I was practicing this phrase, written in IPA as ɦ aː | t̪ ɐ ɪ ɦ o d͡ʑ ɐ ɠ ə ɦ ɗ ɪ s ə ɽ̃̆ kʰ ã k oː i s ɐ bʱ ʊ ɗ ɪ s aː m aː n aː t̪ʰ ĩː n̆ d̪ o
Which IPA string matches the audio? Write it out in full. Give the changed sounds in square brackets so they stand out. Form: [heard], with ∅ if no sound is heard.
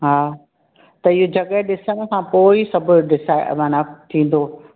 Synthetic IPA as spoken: ɦ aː | t̪ ɐ ɪ ɦ o d͡ʑ ɐ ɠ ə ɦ ɗ ɪ s ə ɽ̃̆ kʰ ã [p] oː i s ɐ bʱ ʊ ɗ ɪ s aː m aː n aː t̪ʰ ĩː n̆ d̪ o